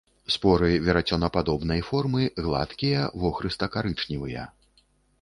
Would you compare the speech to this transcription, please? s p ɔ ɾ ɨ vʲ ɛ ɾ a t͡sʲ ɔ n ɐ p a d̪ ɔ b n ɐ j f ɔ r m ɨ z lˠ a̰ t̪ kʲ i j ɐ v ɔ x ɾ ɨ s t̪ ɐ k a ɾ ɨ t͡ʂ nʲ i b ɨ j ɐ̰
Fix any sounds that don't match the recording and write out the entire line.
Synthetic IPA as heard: s p ɔ ɾ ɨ vʲ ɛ ɾ a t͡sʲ ɔ n ɐ p a d̪ ɔ b n ɐ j f ɔ r m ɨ ɣ lˠ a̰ t̪ kʲ i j ɐ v ɔ x ɾ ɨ s t̪ ɐ k a ɾ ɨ t͡ʂ nʲ i v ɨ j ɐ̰

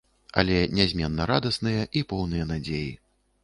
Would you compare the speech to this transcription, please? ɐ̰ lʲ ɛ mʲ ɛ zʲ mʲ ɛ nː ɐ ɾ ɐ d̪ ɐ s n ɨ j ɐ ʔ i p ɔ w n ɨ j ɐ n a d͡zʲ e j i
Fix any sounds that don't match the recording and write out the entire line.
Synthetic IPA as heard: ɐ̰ lʲ ɛ nʲ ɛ zʲ mʲ ɛ nː ɐ ɾ a d̪ ɐ s n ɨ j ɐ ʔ i p ɔ w n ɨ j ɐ n a d͡zʲ e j i

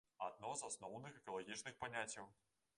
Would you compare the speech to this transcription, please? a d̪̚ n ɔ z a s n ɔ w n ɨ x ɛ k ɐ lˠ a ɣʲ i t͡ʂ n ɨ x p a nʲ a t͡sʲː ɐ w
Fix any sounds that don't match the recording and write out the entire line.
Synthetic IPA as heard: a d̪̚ n ɔ z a s n ɔ w n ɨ x ɛ k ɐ lˠ a ɣʲ i t͡ʂ n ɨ x p a nʲ a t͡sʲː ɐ w

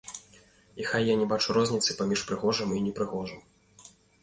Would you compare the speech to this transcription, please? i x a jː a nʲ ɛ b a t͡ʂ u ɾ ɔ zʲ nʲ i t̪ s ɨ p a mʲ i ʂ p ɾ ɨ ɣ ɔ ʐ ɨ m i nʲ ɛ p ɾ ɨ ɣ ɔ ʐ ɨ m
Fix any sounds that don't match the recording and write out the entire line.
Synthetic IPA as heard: i x a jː a nʲ ɛ b a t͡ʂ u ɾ ɔ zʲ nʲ i t̪ s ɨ p a mʲ i ʂ p ɾ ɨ ɣ ɔ ʐ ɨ m i nʲ ɛ p ɾ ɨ ɣ ɔ ʐ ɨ m

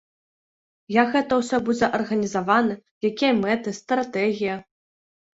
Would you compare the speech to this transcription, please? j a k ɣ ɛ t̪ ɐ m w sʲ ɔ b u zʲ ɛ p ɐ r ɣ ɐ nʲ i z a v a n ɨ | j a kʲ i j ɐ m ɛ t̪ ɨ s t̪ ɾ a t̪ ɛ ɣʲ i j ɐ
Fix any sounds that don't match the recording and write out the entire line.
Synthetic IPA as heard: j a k ɣ ɛ t̪ ɐ w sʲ ɔ b u d͡zʲ ɛ ʔ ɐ r ɣ ɐ nʲ i z a v a n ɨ | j a kʲ i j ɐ m ɛ t̪ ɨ s t̪ ɾ a t̪ ɛ ɣʲ i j ɐ

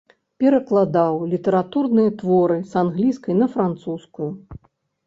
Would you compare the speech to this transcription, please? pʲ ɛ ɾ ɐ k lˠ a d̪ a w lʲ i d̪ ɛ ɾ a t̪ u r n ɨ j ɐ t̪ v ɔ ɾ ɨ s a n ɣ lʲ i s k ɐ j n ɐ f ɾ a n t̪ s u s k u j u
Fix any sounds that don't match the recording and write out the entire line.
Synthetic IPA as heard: pʲ ɛ ɾ ɐ k lˠ a d̪ a w lʲ i t̪ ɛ ɾ a t̪ u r n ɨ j ɐ t̪ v ɔ ɾ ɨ s a n ɣ lʲ i s k ɐ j n ɐ f ɾ a n t̪ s u s k u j u

